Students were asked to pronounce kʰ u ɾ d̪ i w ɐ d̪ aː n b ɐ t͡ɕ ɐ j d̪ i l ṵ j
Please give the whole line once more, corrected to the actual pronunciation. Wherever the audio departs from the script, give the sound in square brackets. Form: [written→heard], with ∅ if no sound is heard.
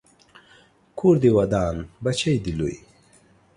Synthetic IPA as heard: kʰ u ɾ d̪ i w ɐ d̪ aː n b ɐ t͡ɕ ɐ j d̪ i l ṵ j

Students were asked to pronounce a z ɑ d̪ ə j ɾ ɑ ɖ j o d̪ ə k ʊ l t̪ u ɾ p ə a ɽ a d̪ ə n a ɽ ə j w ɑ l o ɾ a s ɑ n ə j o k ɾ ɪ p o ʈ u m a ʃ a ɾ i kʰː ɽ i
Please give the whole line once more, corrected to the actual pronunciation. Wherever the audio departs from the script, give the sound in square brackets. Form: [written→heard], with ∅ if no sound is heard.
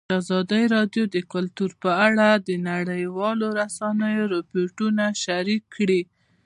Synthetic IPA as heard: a z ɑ d̪ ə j ɾ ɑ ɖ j o d̪ ə k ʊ l t̪ u ɾ p ə a ɽ a d̪ ə n a ɽ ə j w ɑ l o ɾ a s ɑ n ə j o [k→∅] ɾ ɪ p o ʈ u [m→n] a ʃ a ɾ i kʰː ɽ i

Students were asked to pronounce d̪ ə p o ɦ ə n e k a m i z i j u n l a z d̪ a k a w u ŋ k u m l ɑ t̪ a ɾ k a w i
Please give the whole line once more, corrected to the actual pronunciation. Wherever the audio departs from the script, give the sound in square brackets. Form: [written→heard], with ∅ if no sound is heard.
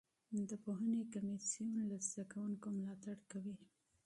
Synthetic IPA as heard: d̪ ə p o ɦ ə n e k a m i [z→s] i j u n l a z d̪ a k a w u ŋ k [u→o] m l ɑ t̪ a [ɾ→ɽ] k a w i

